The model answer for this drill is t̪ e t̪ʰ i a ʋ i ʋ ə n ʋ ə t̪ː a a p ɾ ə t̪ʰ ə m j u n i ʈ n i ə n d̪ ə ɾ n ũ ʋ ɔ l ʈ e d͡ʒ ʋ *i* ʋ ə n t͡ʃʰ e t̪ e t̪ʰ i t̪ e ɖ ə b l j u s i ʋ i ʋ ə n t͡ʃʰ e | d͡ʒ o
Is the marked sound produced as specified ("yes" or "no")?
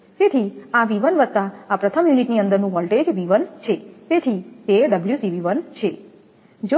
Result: yes